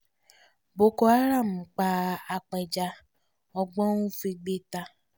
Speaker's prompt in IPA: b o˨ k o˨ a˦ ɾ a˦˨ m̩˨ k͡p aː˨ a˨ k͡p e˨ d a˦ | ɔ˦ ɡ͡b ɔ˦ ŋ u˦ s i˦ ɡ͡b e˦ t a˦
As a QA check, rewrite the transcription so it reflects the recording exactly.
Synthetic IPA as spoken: b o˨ k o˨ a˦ ɾ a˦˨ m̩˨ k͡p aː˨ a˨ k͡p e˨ d͡ʒ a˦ | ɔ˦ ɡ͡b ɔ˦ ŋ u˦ f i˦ ɡ͡b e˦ t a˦

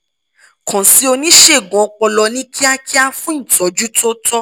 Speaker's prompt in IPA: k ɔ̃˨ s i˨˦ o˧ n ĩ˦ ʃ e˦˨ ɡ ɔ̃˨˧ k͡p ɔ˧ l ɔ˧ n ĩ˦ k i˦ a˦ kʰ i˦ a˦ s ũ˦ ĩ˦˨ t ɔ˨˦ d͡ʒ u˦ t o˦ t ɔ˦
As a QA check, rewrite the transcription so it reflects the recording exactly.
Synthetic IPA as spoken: k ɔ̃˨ s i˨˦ o˧ n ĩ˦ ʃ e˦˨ ɡ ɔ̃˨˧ k͡p ɔ˧ l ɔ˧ n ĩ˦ k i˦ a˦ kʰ i˦ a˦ f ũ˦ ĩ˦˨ t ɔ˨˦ d͡ʒ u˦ t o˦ t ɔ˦

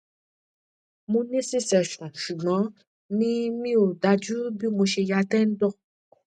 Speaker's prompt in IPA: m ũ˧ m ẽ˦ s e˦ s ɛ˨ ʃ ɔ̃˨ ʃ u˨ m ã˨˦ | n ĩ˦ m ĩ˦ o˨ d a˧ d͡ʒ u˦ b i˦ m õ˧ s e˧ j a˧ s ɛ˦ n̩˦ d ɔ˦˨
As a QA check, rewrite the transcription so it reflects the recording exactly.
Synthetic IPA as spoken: m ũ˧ n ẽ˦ s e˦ s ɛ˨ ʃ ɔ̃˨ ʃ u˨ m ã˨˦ | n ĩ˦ m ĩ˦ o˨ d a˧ d͡ʒ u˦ b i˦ m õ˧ ʃ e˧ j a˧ t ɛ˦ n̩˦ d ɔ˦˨

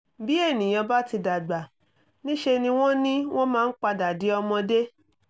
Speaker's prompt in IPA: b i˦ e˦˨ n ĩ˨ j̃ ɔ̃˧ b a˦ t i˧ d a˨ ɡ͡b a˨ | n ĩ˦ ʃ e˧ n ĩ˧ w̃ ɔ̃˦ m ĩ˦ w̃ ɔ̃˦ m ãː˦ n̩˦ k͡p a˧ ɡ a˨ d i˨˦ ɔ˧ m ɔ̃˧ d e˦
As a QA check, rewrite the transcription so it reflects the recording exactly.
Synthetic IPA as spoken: b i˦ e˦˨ n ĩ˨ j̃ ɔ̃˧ b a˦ t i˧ d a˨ ɡ͡b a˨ | n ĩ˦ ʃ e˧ n ĩ˧ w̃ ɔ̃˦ n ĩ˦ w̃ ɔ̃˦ m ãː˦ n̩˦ k͡p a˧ d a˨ d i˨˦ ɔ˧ m ɔ̃˧ d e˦

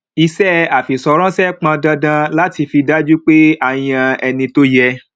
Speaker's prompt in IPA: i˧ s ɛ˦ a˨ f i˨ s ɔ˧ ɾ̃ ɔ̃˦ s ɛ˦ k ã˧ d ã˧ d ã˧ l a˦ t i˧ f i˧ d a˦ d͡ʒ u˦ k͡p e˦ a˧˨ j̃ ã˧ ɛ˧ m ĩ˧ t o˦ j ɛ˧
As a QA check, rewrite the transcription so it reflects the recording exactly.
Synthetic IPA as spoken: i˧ s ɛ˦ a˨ f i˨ s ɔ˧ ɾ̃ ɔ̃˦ s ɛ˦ k͡p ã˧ d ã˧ d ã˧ l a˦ t i˧ f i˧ d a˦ d͡ʒ u˦ k͡p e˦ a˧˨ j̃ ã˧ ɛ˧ n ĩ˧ t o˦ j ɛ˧

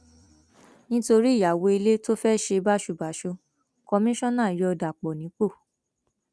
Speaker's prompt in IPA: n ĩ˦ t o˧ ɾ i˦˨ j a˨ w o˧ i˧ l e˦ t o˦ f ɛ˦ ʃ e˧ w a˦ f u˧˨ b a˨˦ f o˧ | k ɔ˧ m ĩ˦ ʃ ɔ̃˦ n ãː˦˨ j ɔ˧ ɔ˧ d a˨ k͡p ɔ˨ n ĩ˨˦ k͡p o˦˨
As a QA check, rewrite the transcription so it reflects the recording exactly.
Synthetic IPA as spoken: n ĩ˦ t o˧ ɾ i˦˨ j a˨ w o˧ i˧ l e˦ t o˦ f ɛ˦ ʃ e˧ b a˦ ʃ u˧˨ b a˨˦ ʃ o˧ | k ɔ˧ m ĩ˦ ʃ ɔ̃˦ n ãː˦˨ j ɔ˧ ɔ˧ d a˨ k͡p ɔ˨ n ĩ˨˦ k͡p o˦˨

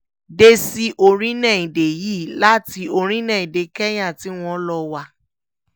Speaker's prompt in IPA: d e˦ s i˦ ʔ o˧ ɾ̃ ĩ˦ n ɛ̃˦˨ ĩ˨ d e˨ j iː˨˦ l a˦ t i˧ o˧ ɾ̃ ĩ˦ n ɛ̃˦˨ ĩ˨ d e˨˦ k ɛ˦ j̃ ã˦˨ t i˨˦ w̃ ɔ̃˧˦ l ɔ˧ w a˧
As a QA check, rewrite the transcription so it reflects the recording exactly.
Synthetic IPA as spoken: d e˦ s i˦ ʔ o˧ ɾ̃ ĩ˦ n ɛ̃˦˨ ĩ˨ d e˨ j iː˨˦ l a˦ t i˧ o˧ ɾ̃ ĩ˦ n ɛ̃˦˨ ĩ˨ d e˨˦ k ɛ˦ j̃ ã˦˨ t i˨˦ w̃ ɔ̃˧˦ l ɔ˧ w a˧

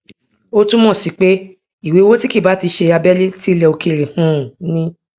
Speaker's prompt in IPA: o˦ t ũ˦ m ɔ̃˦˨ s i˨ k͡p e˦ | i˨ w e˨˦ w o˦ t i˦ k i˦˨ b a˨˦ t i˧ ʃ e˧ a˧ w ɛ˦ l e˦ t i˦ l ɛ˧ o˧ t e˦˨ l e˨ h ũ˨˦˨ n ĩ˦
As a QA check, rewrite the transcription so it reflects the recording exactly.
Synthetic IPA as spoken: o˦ t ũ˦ m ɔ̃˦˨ s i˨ k͡p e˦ | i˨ w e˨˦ w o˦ t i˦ k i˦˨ b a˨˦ t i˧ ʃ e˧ a˧ b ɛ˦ l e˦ t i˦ l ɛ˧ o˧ k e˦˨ ɾ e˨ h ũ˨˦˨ n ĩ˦

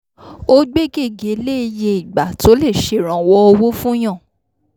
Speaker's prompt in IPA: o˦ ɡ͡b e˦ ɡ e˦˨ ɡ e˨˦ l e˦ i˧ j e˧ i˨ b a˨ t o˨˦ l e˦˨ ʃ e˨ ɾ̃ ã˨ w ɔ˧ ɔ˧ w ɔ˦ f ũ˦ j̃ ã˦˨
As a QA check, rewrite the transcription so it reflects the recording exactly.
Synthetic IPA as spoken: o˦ ɡ͡b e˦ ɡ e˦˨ ɡ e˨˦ l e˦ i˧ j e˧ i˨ ɡ͡b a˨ t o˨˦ l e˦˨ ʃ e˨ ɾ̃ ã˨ w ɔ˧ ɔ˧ w o˦ f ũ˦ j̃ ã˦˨

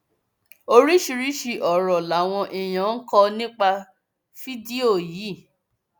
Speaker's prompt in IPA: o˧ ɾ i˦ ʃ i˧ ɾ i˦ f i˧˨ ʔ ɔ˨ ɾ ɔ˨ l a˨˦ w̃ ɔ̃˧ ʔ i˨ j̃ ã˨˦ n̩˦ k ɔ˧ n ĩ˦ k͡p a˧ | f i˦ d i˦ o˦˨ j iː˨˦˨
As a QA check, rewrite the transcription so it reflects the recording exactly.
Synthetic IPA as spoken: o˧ ɾ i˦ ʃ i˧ ɾ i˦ ʃ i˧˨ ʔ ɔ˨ ɾ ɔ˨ l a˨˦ w̃ ɔ̃˧ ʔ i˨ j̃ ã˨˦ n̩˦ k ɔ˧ n ĩ˦ k͡p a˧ | f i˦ d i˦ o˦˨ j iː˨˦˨

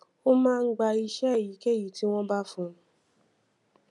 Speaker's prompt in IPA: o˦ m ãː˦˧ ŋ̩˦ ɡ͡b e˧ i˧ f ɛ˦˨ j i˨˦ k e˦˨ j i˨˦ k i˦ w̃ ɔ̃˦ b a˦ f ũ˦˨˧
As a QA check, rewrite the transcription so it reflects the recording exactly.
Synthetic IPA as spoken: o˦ m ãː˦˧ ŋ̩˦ ɡ͡b a˧ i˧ ʃ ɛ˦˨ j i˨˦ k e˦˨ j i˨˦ t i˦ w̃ ɔ̃˦ b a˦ f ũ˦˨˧

